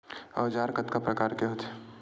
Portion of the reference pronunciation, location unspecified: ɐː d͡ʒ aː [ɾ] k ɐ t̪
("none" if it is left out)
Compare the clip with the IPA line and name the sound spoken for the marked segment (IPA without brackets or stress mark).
ɾ